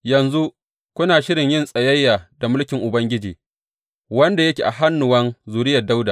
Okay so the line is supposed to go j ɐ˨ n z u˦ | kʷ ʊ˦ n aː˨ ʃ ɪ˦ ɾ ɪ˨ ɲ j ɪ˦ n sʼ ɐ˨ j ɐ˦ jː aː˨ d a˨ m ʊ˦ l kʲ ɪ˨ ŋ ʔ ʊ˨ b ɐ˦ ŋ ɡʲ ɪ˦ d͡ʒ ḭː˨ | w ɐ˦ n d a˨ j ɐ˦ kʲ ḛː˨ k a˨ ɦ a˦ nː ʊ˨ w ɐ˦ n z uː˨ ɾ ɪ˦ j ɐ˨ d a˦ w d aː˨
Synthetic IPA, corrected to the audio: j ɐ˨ n z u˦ | kʷ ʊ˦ n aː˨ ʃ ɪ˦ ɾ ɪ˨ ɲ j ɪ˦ n sʼ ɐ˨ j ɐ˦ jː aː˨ d a˨ m ʊ˦ l kʲ ɪ˨ ŋ ʔ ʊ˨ b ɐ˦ ŋ ɡʲ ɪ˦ d͡ʒ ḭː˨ | w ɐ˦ n d a˨ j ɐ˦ kʲ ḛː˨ ʔ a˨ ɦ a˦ nː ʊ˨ w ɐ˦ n z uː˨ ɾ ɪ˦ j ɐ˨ d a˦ w d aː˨